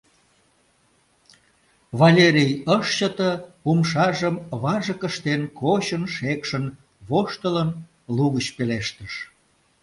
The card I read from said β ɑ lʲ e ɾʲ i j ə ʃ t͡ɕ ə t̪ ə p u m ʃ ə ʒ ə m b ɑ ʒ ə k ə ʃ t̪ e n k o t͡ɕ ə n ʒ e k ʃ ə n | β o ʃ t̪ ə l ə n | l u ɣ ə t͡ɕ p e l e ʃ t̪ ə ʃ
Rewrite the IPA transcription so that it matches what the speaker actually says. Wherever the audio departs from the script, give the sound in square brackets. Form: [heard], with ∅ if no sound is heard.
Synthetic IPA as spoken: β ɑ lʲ e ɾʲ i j ə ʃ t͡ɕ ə t̪ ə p u m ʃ [ɑ] ʒ ə m [β] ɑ ʒ ə k ə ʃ t̪ e n k o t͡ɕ ə n [ʃ] e k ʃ ə n | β o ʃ t̪ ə l ə n | l u ɣ ə t͡ɕ p e l e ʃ t̪ ə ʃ